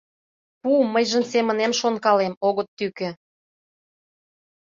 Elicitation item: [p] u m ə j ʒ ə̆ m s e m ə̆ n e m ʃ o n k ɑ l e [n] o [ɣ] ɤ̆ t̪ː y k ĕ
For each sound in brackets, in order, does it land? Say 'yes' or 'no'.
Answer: yes, no, yes

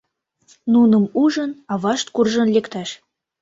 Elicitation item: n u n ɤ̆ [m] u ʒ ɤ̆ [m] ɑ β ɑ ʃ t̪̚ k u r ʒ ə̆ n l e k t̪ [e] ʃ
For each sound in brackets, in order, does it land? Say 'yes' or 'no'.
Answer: yes, no, no

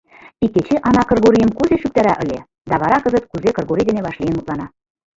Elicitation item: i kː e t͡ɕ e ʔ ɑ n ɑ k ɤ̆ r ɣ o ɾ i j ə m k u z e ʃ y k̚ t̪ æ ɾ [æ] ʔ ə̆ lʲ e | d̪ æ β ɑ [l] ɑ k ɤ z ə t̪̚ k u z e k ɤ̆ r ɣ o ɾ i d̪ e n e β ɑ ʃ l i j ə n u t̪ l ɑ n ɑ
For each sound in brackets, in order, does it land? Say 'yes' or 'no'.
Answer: yes, no

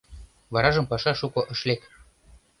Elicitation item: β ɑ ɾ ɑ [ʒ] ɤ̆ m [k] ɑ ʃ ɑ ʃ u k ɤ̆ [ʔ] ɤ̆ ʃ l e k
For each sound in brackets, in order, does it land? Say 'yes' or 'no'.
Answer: yes, no, yes

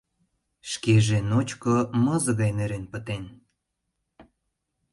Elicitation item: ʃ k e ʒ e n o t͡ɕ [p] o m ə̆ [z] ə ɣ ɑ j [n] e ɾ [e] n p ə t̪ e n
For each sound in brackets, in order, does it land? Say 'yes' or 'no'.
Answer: no, yes, yes, yes

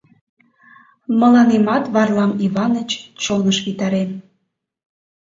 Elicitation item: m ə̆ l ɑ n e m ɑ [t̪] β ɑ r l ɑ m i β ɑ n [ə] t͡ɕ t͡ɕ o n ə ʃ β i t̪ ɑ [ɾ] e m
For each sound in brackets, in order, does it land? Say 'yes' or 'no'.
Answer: yes, yes, yes

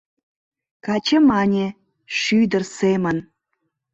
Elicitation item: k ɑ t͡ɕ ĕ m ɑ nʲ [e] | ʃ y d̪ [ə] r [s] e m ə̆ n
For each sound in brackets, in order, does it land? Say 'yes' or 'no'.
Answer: yes, yes, yes

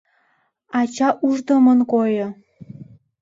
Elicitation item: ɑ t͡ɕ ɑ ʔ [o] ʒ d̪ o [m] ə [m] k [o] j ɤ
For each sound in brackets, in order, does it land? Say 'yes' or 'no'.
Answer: no, yes, no, yes

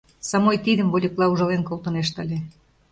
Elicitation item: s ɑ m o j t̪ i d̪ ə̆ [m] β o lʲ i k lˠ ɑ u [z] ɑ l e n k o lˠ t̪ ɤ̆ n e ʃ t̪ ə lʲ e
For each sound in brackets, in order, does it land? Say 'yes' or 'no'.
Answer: yes, no

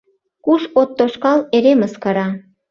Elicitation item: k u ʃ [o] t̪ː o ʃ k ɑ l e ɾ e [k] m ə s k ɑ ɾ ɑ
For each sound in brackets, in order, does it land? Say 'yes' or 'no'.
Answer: yes, no

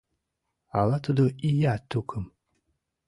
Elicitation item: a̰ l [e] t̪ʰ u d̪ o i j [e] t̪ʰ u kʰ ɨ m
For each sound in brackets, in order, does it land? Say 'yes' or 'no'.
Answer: no, no

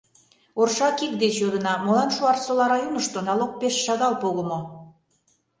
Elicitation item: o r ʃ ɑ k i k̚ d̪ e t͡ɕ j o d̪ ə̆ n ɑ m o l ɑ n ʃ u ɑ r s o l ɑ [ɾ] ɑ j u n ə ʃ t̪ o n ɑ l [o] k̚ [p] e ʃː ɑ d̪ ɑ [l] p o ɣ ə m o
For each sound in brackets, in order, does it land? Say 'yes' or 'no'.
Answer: yes, yes, yes, yes

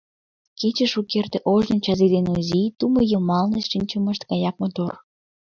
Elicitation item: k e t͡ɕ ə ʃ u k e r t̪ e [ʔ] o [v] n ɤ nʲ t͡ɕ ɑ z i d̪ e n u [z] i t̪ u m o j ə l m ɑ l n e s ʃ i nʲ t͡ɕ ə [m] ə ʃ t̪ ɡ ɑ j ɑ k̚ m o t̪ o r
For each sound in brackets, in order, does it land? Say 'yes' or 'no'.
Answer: yes, no, yes, yes

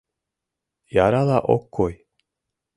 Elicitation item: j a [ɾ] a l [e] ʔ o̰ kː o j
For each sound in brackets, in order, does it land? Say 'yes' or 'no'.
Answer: yes, no

